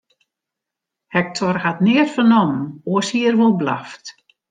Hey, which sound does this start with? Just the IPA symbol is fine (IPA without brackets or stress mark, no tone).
h